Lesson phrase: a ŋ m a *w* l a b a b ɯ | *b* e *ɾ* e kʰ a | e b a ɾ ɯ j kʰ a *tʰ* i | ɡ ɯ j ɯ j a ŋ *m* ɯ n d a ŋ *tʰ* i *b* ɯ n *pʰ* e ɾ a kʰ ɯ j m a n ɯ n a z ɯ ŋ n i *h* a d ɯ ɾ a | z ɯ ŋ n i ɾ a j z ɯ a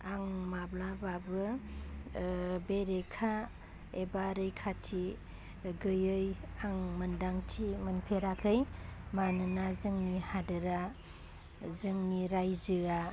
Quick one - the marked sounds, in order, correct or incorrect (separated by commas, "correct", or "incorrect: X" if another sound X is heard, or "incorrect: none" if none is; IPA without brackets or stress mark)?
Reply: incorrect: b, correct, correct, correct, correct, correct, incorrect: m, correct, correct